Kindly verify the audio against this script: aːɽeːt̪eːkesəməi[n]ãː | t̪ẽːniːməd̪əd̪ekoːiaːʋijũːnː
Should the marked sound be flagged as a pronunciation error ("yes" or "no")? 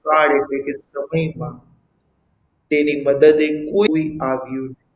yes